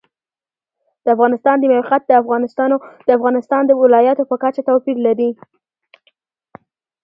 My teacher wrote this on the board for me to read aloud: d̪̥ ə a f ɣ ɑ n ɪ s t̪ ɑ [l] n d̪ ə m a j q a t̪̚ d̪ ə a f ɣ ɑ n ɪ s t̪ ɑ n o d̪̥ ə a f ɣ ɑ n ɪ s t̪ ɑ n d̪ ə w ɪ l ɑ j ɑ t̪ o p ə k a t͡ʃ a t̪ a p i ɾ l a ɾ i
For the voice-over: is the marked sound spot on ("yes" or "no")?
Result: no